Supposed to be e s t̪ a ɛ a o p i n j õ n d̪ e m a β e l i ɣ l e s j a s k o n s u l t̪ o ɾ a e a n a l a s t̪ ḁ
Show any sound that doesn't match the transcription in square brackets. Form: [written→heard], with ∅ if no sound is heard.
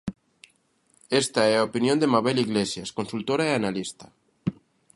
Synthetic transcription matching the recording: e s t̪ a ɛ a o p i n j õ n d̪ e m a β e l i ɣ l e s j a s k o n s u l t̪ o ɾ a e a n a l [a→i] s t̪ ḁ